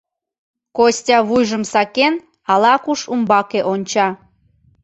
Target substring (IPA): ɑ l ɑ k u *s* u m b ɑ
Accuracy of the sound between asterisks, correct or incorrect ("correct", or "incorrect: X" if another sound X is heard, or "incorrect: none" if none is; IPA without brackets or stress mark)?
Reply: incorrect: ʃ